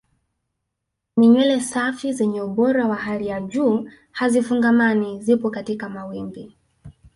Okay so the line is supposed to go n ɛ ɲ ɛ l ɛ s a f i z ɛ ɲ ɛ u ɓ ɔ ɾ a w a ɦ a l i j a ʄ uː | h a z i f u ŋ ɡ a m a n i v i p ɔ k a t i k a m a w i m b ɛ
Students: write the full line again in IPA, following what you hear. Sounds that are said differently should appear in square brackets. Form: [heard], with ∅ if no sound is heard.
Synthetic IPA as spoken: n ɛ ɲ ɛ l ɛ s a f i z ɛ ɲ ɛ u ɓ ɔ ɾ a w a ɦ a l i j a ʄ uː | h a z i f u ŋ ɡ a m a n i [z] i p ɔ k a t i k a m a w i m b [i]